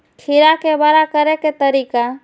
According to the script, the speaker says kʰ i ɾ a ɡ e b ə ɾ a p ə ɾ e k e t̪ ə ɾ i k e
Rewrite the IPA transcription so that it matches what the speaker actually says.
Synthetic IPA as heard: kʰ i ɾ a k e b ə ɾ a k ə ɾ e k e t̪ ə ɾ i k a